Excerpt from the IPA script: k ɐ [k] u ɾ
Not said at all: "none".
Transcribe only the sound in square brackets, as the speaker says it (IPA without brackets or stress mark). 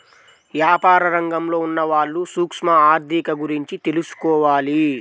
ɡ